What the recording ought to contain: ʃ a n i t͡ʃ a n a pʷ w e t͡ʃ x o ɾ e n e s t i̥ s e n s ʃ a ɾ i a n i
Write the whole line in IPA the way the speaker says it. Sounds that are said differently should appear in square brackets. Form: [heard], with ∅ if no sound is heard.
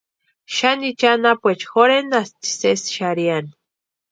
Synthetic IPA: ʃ a n i t͡ʃ a n a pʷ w e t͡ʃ x o ɾ e n [a] s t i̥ s e [∅] s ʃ a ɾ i a n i

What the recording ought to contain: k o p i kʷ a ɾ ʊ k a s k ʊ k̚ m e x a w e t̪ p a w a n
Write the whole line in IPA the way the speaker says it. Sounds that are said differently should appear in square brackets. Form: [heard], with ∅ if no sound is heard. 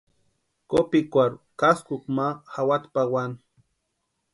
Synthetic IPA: k o p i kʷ a ɾ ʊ k a s k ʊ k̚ m [a] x a w [a] t̪ p a w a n

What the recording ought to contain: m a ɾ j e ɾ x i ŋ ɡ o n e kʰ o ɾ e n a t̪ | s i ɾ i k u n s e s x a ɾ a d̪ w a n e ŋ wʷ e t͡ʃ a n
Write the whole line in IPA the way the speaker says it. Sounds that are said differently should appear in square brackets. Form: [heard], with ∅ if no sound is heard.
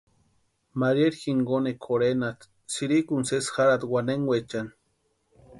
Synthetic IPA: m a ɾ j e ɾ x i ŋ ɡ o n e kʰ o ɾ e n a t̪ | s i ɾ i k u n s e s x a ɾ a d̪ w a n e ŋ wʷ e t͡ʃ a n

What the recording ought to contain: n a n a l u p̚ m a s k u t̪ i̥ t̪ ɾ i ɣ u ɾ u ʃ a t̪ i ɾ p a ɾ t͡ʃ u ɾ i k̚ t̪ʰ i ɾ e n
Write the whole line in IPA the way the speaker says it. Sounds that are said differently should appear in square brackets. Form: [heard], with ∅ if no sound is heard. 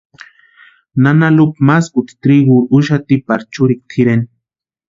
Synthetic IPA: n a n a l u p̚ m a s k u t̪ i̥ t̪ ɾ i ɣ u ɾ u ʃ a t̪ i [∅] p a ɾ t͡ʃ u ɾ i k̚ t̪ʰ i ɾ e n

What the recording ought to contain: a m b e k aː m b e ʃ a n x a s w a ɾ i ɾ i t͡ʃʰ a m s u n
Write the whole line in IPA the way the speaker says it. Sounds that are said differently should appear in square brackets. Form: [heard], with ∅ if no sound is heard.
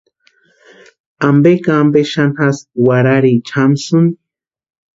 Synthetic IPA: a m b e k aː m b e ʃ a n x a s w a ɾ [a] ɾ i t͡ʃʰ a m s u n

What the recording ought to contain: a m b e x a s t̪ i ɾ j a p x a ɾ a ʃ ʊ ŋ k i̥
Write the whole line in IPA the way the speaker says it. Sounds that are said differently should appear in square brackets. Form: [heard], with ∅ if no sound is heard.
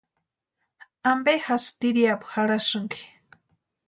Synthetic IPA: a m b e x a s t̪ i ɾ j a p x a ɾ a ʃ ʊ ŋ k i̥

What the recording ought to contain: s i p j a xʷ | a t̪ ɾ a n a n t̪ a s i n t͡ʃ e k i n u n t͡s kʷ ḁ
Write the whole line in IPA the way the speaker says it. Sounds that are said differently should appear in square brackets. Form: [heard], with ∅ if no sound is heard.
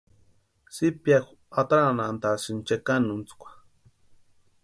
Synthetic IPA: s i p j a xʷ | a t̪ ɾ a n a n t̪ a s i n t͡ʃ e k [a] n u n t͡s kʷ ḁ

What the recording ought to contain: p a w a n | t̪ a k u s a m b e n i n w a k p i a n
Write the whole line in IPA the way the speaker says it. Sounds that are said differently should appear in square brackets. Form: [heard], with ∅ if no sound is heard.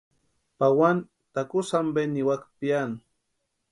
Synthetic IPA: p a w a n | t̪ a k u s a m b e n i [∅] w a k p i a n

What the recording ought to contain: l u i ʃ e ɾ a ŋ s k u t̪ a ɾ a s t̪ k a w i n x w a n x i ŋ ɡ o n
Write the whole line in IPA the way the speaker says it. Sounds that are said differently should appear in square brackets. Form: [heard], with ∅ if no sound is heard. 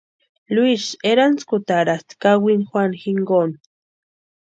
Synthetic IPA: l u i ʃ e ɾ a [n] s k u t̪ a ɾ a s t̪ k a w i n x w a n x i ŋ ɡ o n

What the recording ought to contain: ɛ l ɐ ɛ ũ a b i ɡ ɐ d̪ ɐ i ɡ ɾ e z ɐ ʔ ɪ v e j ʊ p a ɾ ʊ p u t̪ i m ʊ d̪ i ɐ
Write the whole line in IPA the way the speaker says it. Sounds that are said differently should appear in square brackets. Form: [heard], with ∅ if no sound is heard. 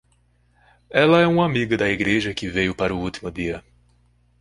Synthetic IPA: ɛ l ɐ ɛ ũ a [m] i ɡ ɐ d̪ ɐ i ɡ ɾ e [ʒ] ɐ [k] ɪ v e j ʊ p a ɾ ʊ [∅] u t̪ i m ʊ d̪ i ɐ

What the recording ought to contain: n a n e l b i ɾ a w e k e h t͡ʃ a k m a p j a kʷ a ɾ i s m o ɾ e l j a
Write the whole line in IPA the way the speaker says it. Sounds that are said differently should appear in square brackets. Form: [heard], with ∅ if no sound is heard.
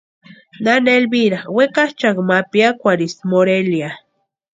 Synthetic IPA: n a n e l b i ɾ a w e k [a] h t͡ʃ a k m a p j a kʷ a ɾ i s m o ɾ e l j a

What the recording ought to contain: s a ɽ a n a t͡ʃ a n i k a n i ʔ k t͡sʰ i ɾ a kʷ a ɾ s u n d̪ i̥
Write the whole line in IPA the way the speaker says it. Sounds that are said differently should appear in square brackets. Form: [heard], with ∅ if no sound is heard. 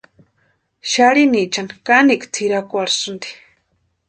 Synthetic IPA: [ʃ] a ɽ [i] n [i] t͡ʃ a n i k a n i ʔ k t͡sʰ i ɾ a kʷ a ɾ s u n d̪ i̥

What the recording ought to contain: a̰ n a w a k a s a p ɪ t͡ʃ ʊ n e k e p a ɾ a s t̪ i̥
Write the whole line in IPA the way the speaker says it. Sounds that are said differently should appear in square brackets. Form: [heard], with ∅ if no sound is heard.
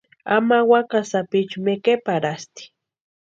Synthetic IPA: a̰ [m] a w a k a s a p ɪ t͡ʃ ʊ [m] e k e p a ɾ a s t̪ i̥

